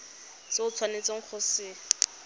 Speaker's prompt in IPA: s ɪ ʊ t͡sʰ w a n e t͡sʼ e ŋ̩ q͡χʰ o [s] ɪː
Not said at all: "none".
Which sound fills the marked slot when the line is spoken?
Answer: s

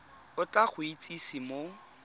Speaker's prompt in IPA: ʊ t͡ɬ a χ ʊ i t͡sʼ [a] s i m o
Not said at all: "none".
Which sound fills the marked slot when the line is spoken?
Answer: i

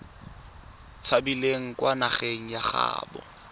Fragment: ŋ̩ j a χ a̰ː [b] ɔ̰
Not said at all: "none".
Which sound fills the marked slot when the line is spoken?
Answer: b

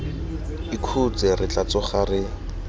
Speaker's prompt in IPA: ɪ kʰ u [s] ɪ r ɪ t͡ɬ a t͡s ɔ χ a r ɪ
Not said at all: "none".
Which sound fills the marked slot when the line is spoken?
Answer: t͡s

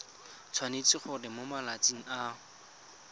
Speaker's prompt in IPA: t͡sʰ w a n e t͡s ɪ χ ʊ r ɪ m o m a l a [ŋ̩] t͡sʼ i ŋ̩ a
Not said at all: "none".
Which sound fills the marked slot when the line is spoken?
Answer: none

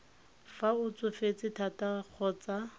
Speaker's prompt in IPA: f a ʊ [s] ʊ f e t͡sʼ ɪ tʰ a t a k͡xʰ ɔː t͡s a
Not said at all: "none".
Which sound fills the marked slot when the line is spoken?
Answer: t͡s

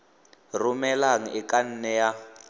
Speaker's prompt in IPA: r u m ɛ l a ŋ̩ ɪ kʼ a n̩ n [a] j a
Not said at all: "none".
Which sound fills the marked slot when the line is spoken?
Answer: ɛ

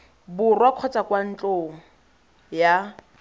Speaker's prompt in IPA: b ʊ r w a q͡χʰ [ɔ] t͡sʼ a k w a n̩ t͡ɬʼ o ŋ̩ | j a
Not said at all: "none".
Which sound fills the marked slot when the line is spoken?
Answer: ɔ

